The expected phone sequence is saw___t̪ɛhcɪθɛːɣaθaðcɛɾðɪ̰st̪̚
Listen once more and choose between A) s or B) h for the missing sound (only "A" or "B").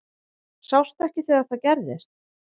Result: A